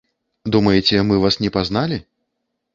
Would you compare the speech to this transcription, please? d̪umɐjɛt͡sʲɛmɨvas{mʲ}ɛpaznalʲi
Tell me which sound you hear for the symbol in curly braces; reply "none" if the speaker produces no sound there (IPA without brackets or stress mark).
nʲ